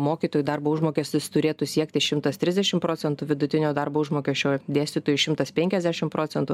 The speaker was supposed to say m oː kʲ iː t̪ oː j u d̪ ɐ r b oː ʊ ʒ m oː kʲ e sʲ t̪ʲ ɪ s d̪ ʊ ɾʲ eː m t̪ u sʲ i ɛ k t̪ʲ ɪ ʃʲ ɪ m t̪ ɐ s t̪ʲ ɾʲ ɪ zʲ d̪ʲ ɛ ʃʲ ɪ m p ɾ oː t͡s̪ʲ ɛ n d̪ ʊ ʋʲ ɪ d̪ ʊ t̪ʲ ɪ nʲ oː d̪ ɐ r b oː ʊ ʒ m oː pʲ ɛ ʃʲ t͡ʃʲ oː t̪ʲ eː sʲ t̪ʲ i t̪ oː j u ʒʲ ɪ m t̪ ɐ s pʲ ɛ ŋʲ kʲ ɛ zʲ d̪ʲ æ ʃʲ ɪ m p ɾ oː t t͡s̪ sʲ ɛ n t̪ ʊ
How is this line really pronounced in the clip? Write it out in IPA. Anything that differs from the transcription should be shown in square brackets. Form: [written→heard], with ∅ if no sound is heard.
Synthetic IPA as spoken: m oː kʲ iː t̪ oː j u d̪ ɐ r b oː ʊ ʒ m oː kʲ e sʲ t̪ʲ ɪ s [d̪→t̪] ʊ ɾʲ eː [m→∅] t̪ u sʲ i ɛ k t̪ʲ ɪ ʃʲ ɪ m t̪ ɐ s t̪ʲ ɾʲ ɪ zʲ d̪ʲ ɛ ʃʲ ɪ m p ɾ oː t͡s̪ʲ ɛ n [d̪→t̪] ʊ ʋʲ ɪ d̪ ʊ t̪ʲ ɪ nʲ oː d̪ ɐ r b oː ʊ ʒ m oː [pʲ→kʲ] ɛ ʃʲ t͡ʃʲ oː [t̪ʲ→d̪ʲ] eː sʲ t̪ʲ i t̪ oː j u [ʒʲ→ʃʲ] ɪ m t̪ ɐ s pʲ ɛ ŋʲ kʲ ɛ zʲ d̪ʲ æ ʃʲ ɪ m p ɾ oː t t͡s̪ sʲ ɛ n t̪ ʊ